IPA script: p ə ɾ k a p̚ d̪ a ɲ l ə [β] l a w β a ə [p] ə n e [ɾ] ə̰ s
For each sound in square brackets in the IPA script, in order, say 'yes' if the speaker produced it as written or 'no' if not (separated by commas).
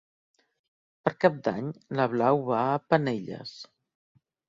yes, yes, no